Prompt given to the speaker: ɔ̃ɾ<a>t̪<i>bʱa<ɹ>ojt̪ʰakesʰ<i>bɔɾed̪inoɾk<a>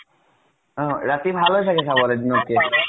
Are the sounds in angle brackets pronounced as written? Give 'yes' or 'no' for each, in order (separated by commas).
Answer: yes, yes, no, no, no